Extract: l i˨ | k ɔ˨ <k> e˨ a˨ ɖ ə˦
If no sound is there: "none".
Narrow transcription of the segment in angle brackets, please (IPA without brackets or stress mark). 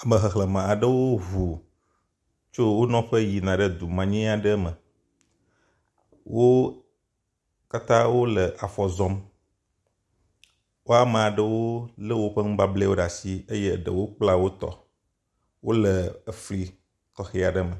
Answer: x